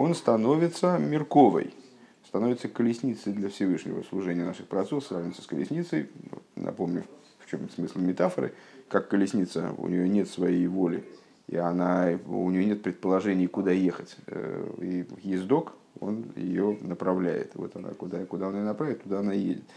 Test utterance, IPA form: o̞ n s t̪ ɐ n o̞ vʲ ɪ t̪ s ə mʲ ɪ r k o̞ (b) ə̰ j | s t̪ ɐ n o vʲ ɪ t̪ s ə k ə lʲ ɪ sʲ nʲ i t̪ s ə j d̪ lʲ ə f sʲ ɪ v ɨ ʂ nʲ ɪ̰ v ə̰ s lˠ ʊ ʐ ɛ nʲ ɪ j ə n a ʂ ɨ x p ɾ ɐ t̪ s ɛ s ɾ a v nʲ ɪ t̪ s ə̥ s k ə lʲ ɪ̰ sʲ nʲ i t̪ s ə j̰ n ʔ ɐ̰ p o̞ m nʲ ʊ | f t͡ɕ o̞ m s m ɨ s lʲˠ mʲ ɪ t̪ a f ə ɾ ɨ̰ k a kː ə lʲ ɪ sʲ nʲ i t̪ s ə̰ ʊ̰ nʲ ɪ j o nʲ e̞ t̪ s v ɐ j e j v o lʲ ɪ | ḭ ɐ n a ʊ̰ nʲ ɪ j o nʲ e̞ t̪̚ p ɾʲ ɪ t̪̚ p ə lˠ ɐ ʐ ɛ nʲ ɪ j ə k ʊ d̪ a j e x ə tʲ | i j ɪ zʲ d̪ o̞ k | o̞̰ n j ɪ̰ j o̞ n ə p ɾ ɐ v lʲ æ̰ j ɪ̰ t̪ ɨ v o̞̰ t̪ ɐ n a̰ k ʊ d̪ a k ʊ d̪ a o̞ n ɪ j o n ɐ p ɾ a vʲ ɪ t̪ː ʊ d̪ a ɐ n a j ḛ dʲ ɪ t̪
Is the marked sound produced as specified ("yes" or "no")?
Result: no